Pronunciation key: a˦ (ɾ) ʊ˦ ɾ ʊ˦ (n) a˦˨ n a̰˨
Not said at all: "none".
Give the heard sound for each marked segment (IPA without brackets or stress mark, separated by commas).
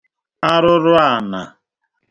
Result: ɾ, none